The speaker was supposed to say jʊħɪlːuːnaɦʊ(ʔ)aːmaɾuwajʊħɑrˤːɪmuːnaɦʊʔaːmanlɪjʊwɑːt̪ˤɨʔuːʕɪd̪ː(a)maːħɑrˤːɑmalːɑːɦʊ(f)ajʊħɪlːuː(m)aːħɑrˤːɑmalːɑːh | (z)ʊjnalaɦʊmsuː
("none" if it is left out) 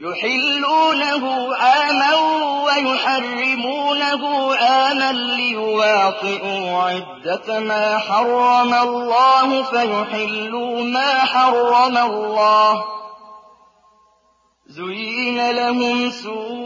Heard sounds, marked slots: ʔ, a, f, m, z

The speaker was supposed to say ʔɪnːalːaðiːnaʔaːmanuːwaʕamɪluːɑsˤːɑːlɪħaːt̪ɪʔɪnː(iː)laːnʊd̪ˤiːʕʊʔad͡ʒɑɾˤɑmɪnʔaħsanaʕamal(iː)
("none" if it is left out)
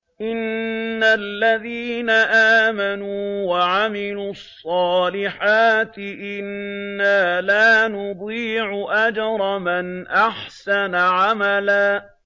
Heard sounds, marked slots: aː, aː

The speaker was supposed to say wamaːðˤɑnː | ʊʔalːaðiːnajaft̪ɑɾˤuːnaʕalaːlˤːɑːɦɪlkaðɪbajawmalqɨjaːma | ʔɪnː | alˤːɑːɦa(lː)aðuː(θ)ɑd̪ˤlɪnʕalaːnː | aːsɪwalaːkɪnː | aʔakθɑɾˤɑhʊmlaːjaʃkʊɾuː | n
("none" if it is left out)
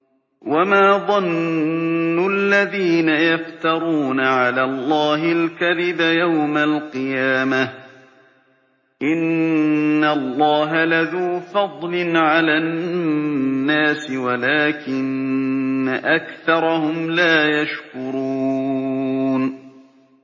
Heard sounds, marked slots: l, f

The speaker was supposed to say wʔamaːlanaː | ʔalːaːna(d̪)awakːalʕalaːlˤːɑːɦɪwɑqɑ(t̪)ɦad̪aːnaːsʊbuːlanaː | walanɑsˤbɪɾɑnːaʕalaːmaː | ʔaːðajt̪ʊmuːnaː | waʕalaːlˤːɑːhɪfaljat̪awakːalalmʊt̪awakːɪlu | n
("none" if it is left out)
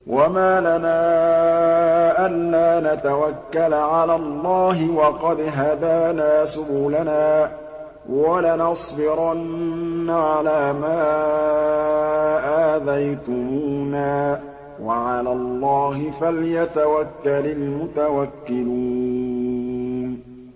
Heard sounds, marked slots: t̪, d̪

